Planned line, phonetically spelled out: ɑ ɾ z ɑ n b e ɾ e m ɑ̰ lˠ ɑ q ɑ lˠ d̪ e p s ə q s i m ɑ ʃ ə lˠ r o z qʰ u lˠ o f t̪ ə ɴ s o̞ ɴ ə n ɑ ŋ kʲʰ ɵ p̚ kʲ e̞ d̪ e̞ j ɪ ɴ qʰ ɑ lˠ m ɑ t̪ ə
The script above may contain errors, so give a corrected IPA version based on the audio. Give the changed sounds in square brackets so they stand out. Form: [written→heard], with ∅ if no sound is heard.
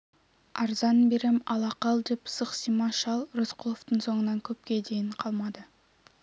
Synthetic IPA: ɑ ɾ z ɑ n b e ɾ e m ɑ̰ lˠ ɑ q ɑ lˠ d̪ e p s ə q s i m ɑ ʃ [ə→ɑ] lˠ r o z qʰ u lˠ o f t̪ ə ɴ s o̞ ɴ ə n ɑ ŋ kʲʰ ɵ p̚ kʲ e̞ d̪ e̞ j ɪ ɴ qʰ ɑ lˠ m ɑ [t̪→d̪] ə